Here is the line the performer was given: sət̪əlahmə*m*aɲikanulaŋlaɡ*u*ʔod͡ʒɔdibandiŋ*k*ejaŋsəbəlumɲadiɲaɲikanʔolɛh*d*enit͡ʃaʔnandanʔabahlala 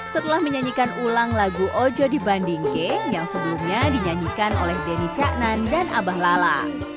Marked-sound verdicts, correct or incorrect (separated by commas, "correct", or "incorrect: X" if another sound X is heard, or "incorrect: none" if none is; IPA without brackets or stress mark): incorrect: ɲ, correct, correct, correct